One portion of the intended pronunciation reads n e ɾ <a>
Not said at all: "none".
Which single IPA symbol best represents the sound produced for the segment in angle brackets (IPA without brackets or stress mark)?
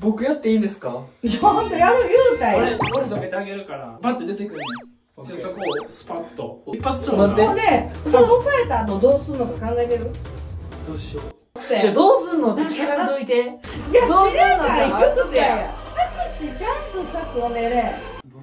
e